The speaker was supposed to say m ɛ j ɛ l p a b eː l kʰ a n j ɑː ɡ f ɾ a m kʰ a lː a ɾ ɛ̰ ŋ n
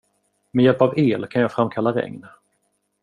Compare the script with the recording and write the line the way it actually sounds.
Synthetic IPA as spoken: m ɛ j ɛ l p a v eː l kʰ a n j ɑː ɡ f ɾ a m kʰ a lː a ɾ ɛ̰ ŋ n